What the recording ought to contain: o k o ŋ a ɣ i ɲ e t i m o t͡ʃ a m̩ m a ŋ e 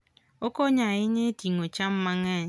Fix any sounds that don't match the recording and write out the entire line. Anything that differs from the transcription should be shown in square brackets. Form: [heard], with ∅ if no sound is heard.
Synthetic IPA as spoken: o k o [ɲ] a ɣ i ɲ e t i [ŋ] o t͡ʃ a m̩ m a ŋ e